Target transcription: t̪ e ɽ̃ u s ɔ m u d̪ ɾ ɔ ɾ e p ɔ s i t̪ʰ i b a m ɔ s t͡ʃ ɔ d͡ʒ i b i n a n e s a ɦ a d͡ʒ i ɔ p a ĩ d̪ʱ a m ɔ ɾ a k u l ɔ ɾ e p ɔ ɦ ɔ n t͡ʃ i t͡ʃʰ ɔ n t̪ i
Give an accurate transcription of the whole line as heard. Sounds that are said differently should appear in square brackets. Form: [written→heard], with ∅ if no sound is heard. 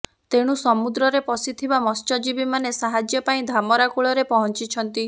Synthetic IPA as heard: t̪ e ɽ̃ u s ɔ m u d̪ ɾ ɔ ɾ e p ɔ s i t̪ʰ i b a m ɔ s t͡ʃ ɔ d͡ʒ i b i [n→m] a n e s a ɦ a d͡ʒ [i→j] ɔ p a ĩ d̪ʱ a m ɔ ɾ a k u [l→ɭ] ɔ ɾ e p ɔ ɦ ɔ n t͡ʃ i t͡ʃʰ ɔ n t̪ i